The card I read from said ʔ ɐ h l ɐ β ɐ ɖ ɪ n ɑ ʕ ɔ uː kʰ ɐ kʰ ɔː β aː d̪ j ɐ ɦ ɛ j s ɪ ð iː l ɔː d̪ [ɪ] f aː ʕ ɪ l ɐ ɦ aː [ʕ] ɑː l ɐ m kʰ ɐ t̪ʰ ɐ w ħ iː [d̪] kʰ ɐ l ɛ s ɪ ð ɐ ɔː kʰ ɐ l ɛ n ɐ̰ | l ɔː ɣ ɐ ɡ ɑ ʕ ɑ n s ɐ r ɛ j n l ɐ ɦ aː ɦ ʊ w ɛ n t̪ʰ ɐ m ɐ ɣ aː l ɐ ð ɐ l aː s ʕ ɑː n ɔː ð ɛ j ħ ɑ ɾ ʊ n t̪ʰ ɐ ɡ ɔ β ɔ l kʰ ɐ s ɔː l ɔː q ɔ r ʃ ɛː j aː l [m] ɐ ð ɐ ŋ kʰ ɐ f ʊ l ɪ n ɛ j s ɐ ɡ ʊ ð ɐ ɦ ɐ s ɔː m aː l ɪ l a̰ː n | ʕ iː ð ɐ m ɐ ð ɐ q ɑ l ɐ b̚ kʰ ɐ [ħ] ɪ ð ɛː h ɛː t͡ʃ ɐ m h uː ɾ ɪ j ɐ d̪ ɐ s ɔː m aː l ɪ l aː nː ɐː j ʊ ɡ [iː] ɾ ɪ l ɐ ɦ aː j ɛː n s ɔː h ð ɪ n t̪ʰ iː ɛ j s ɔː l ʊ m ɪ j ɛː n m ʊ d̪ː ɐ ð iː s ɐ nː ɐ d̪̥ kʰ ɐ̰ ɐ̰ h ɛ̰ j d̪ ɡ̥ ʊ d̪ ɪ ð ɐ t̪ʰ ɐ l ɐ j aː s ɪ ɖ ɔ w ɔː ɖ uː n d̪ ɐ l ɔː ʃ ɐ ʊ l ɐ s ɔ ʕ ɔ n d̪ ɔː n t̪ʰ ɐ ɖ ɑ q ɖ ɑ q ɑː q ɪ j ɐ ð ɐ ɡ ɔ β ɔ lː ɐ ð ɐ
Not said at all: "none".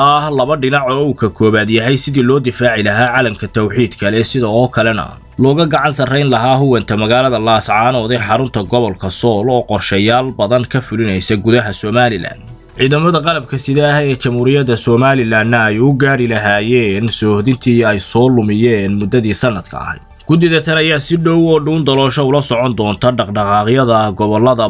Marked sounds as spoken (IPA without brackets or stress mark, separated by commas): ɪ, ʕ, d̪, b, s, aː